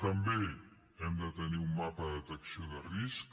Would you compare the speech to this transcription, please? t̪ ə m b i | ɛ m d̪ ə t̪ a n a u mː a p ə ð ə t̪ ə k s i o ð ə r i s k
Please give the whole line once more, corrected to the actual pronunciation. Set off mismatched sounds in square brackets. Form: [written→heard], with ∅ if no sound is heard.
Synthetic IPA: t̪ ə m b [i→e] | ɛ m d̪ ə t̪ [a→ə] n [a→i] u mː a p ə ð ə t̪ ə k s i o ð ə r i s k